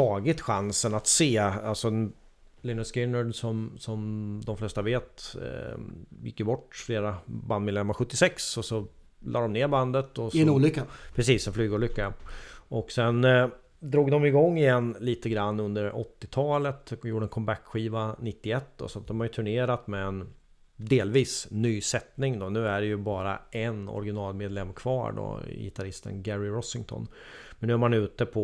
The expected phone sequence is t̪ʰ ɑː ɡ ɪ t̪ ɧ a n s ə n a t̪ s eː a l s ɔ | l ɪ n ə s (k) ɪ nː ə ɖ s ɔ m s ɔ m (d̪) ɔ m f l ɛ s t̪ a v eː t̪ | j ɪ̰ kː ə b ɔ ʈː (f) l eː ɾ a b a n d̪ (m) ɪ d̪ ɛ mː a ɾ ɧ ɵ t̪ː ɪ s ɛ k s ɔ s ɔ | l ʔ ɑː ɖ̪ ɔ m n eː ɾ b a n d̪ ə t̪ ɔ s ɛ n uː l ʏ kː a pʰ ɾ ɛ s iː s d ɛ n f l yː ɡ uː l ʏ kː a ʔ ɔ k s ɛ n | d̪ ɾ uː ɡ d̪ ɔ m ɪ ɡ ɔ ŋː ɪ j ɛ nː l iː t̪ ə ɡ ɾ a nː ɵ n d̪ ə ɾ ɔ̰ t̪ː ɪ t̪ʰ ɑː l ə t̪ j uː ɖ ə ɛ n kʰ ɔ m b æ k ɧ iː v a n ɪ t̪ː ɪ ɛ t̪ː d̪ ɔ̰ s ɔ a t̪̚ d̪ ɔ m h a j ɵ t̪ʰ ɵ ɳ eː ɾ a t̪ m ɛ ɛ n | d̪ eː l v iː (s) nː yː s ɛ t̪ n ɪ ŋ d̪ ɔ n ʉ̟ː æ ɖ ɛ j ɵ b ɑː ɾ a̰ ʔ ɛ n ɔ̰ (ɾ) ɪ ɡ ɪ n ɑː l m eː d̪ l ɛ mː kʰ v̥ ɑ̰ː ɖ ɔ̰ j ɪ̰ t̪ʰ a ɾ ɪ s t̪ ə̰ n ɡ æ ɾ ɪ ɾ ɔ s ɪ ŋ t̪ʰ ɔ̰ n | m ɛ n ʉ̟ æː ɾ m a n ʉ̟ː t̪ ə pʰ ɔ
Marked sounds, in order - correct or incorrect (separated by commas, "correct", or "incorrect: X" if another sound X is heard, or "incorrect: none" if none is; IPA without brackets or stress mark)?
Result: correct, correct, correct, correct, correct, correct